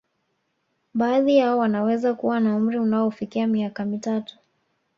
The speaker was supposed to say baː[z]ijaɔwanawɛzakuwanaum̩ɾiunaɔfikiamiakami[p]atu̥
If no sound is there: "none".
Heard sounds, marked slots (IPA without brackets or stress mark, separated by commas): ð, t